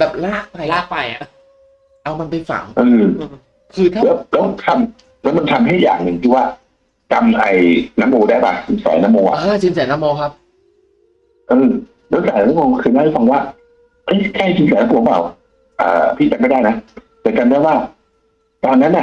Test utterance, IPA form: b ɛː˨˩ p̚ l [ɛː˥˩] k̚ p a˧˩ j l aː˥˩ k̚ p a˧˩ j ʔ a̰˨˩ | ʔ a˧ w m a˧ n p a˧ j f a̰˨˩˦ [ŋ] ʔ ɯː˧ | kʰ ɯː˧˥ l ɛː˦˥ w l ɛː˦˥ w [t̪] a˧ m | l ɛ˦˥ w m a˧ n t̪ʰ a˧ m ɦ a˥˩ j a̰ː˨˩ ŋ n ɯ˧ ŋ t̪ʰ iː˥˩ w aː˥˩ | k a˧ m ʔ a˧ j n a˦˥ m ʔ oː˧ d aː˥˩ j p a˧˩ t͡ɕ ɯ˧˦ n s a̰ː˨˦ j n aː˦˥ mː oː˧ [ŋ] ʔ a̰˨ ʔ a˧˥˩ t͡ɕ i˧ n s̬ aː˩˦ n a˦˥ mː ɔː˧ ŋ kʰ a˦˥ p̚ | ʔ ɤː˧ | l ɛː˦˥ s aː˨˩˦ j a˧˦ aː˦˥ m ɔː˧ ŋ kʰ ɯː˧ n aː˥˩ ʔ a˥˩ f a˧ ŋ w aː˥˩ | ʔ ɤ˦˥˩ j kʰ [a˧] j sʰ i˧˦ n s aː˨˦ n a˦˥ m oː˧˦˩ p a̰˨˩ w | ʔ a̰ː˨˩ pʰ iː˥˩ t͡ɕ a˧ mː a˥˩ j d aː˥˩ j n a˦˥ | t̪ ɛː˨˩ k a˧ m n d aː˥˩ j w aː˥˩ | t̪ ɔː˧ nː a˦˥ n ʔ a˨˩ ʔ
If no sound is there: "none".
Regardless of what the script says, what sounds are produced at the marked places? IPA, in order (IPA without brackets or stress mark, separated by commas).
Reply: aː˥˩, ŋ, t̪ʰ, ŋ, a˥˩